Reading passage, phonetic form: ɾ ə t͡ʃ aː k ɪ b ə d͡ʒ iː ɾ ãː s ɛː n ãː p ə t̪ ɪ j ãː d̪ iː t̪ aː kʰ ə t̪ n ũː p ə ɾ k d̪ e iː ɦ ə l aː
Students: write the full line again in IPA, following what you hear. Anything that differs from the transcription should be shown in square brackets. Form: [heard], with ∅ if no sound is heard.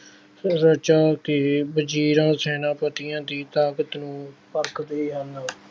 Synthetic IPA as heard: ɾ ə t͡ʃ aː k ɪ b ə d͡ʒ iː ɾ ãː s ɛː n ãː p ə t̪ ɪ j ãː d̪ iː t̪ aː [k] ə t̪ n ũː p ə ɾ k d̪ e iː ɦ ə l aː